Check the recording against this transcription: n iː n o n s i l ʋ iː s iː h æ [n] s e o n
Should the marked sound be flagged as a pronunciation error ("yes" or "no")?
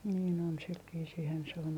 no